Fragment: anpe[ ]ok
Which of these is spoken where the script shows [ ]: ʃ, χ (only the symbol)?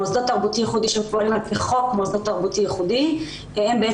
χ